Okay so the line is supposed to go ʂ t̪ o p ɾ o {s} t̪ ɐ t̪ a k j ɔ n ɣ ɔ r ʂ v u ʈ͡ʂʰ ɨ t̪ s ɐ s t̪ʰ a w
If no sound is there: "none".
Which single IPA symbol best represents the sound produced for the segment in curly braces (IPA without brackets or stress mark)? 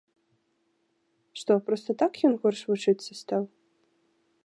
s